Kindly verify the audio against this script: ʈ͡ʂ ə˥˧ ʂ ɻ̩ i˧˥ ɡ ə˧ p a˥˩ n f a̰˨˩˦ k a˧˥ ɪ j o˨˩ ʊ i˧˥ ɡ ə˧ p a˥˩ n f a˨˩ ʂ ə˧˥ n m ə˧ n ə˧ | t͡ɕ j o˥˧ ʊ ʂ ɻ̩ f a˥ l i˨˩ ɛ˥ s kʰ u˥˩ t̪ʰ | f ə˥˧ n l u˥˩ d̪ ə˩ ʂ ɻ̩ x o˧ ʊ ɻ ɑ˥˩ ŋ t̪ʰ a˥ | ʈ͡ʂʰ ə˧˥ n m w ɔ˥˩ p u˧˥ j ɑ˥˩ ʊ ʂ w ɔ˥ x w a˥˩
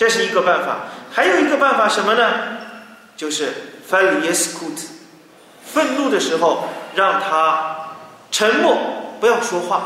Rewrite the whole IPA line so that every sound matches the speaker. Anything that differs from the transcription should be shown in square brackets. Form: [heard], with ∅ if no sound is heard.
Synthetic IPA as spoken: ʈ͡ʂ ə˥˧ ʂ ɻ̩ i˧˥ ɡ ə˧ p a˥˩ n f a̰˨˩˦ [x] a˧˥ ɪ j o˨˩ ʊ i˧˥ ɡ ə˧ p a˥˩ n f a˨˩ ʂ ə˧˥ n m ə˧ n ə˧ | t͡ɕ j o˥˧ ʊ ʂ ɻ̩ f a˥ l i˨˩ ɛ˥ s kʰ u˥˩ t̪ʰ | f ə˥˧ n l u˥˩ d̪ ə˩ ʂ ɻ̩ x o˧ ʊ ɻ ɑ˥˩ ŋ t̪ʰ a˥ | ʈ͡ʂʰ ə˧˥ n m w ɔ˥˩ p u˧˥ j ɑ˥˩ ʊ ʂ w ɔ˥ x w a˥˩